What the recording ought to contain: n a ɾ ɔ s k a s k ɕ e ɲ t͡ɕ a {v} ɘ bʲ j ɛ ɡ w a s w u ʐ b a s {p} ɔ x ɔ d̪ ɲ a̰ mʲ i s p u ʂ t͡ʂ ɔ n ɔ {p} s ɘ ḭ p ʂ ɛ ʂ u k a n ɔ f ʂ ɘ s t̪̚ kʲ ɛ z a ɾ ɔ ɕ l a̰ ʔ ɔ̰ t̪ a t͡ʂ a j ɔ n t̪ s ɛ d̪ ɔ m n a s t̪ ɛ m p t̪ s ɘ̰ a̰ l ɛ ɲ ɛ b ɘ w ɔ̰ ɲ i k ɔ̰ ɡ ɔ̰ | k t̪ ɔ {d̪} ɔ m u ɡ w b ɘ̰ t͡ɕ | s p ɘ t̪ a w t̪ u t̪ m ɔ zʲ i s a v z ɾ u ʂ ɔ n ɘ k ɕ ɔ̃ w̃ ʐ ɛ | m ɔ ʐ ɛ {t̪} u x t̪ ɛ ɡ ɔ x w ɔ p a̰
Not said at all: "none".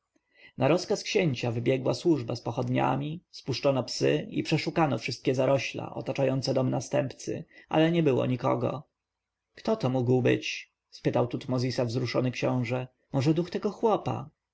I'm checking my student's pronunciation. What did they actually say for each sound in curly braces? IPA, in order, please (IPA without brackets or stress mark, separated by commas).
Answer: v, p, p, t̪, d̪